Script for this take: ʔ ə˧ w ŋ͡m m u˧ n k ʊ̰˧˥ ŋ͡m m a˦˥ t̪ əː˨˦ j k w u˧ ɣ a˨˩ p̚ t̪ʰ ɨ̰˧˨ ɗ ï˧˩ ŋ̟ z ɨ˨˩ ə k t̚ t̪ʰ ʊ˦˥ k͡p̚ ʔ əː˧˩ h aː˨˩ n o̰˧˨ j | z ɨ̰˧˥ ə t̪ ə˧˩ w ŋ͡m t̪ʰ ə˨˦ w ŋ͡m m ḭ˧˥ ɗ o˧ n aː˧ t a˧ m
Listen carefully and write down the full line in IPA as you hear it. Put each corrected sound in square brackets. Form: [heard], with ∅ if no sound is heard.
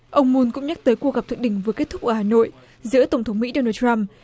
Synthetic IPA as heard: ʔ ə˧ w ŋ͡m m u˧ n k ʊ̰˧˥ ŋ͡m [ɲ] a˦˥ t̪ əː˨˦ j k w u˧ ɣ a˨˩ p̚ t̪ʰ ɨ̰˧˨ ɗ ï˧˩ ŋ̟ [v] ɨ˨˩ ə k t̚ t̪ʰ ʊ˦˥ k͡p̚ ʔ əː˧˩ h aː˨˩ n o̰˧˨ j | z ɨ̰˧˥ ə t̪ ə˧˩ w ŋ͡m t̪ʰ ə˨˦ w ŋ͡m m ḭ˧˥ ɗ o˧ n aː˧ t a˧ m